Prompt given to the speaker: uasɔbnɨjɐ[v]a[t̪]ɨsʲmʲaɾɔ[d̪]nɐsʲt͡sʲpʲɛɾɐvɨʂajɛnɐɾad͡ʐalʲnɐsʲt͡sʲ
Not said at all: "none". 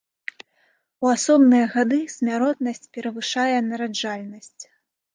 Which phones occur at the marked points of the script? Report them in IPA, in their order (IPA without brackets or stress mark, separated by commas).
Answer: ɣ, d̪, t̪